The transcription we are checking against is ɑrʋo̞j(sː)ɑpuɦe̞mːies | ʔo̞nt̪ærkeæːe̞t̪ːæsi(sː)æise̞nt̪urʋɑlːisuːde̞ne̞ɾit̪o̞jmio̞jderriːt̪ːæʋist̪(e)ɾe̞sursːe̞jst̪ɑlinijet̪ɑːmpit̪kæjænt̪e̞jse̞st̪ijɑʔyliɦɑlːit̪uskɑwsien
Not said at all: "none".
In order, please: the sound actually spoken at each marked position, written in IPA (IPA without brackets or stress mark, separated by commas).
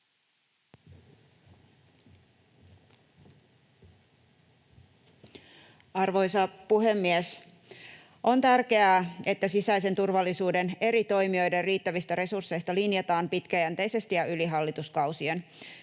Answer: s, s, æ